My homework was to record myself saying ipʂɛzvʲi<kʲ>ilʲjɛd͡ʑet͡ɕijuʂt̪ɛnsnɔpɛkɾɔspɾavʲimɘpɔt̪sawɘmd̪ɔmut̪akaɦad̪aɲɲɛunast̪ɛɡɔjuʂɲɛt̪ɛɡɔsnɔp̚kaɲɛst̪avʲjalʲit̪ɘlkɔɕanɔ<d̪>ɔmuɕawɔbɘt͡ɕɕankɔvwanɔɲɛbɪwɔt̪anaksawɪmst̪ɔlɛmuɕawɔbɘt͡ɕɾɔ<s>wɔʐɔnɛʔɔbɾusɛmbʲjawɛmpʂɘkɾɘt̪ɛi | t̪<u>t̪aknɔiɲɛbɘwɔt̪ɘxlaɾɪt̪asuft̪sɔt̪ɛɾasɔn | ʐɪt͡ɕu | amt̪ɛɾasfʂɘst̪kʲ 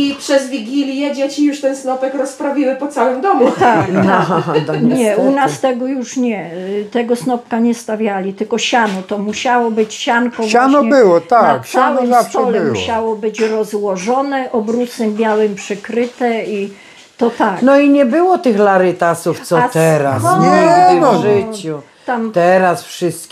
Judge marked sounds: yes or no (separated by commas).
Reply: no, no, no, no